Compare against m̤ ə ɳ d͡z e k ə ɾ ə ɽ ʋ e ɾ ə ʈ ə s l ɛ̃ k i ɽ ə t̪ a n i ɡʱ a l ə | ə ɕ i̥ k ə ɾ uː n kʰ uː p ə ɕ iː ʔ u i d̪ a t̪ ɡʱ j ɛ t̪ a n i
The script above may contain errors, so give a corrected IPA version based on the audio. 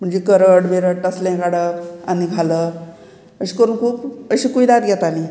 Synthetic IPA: m̤ ə ɳ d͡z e k ə ɾ ə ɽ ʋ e ɾ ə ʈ ə s l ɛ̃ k a ɽ ə a n i ɡʱ a l ə | ə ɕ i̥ k ə ɾ uː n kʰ uː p ə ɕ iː k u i d̪ a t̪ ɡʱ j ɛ t̪ a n i